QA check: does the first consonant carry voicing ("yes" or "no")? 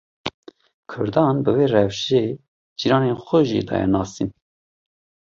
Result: no